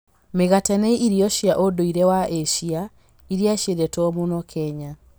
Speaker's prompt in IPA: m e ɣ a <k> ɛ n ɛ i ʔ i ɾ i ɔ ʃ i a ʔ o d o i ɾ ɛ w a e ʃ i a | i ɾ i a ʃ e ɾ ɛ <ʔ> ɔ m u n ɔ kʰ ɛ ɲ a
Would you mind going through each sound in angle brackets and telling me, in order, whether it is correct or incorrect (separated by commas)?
incorrect, incorrect